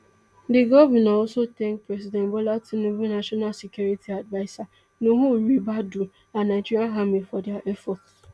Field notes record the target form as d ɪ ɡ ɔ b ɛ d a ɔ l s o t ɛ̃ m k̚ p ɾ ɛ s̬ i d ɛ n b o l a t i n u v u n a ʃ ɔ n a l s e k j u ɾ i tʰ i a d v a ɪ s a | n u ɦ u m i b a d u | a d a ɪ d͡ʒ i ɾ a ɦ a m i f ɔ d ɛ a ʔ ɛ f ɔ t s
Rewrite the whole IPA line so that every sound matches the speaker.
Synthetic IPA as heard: d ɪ ɡ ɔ v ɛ n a ɔ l s o t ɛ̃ ŋ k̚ p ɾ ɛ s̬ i d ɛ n b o l a t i n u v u n a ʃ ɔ n a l s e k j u ɾ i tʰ i a d v a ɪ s a | n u ɦ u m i b a d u | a n a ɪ d͡ʒ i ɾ a ɦ a m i f ɔ d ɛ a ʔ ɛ f ɔ t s